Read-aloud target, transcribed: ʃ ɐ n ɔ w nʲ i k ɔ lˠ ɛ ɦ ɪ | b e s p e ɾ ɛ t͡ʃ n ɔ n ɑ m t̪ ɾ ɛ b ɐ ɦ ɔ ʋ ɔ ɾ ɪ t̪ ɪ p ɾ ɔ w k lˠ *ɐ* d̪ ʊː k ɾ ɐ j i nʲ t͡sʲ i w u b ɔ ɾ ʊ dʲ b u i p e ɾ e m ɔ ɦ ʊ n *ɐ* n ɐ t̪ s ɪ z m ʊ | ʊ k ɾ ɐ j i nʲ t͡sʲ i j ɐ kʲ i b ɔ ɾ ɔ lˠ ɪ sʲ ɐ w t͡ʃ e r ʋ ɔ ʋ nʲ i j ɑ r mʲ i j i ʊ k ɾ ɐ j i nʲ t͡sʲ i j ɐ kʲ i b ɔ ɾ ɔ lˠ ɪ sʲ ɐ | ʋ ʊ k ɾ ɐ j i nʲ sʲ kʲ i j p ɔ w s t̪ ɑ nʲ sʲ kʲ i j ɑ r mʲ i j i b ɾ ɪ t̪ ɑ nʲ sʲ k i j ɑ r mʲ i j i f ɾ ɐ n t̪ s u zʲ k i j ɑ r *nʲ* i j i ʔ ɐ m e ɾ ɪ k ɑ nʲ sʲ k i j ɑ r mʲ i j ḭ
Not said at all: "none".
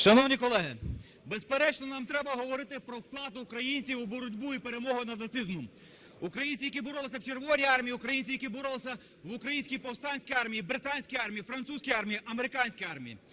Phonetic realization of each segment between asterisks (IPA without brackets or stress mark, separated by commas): ɑ, ɐ, mʲ